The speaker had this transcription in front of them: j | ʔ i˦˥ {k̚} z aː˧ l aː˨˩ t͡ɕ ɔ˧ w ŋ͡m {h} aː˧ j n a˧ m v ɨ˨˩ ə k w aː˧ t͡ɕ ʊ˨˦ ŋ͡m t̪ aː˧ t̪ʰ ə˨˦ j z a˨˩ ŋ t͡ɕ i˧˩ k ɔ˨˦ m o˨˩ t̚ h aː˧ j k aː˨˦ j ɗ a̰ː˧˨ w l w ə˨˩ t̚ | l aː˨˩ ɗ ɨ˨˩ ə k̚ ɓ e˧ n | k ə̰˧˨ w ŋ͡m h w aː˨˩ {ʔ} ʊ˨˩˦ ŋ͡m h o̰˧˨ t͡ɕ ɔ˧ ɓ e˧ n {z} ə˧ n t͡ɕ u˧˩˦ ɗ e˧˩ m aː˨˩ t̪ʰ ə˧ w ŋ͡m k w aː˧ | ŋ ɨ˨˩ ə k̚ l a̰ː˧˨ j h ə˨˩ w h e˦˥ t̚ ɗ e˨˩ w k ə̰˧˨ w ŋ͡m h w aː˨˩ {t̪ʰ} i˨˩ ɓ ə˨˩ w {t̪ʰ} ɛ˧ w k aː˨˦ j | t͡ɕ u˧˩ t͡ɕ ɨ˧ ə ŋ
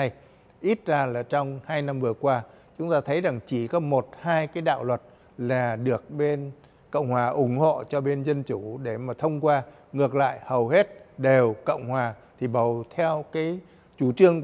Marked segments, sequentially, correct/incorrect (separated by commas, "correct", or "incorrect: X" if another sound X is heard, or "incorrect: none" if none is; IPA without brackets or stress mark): incorrect: t̚, correct, correct, correct, correct, correct